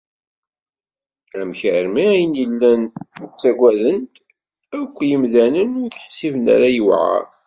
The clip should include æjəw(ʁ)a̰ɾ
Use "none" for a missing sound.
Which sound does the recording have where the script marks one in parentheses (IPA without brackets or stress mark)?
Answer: ʕ